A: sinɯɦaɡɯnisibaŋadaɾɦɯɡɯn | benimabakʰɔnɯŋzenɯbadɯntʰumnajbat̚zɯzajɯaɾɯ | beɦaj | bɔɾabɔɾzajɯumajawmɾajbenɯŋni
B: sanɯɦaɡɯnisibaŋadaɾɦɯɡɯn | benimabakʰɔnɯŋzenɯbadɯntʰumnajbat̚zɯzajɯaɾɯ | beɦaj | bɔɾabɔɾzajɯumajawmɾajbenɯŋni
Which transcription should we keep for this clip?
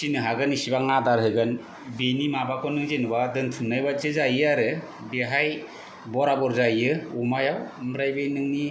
A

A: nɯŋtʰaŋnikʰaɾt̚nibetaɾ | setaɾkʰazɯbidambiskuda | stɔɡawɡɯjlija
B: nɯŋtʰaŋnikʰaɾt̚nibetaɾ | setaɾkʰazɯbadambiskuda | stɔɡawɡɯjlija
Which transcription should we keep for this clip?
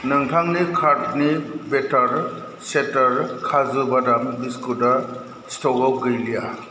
B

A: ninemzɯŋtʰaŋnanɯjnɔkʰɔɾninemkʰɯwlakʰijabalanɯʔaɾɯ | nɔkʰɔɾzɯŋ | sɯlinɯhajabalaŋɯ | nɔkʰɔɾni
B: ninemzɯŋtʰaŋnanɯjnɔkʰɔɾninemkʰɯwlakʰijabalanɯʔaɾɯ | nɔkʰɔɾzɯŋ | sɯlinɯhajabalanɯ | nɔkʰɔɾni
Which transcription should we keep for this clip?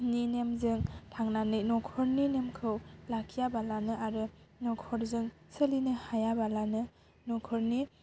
B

